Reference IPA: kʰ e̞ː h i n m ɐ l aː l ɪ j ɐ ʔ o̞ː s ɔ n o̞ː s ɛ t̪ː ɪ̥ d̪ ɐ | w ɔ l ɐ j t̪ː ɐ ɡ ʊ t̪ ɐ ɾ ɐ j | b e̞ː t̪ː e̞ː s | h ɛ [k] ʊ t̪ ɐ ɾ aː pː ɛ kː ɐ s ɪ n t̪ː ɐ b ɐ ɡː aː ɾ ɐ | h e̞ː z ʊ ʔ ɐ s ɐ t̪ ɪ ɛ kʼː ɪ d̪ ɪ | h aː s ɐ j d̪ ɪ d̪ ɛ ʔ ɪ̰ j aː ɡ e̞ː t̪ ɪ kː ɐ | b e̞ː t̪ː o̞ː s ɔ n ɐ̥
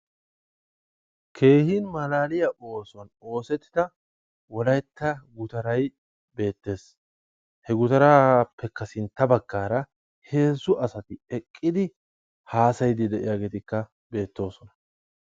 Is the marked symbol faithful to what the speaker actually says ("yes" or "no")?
no